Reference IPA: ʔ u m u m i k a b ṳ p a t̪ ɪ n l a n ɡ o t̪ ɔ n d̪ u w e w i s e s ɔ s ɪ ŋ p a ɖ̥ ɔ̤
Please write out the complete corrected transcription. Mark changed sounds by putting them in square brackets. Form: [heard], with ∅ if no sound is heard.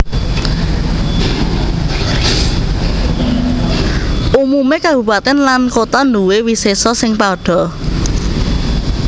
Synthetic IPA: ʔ u m u m [e] k a b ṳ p a t̪ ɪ n l a n [k] o t̪ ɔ n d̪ u w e w i s e s ɔ s ɪ ŋ p a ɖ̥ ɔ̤